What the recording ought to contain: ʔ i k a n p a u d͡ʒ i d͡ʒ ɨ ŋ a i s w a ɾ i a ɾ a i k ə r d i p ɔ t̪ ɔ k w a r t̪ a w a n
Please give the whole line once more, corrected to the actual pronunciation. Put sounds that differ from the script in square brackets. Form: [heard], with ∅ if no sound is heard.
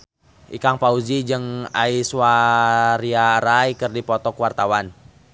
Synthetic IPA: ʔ i k a [ŋ] p a u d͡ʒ i d͡ʒ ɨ ŋ a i s w a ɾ i a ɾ a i k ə r d i p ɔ t̪ ɔ k w a r t̪ a w a n